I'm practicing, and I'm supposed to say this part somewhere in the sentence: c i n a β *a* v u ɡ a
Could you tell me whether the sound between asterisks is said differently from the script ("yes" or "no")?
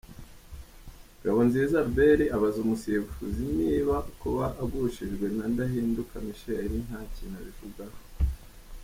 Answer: yes